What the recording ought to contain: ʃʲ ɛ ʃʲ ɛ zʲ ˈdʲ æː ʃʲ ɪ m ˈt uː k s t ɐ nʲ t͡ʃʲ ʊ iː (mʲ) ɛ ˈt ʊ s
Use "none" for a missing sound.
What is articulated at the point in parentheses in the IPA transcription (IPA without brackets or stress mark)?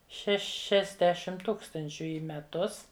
mʲ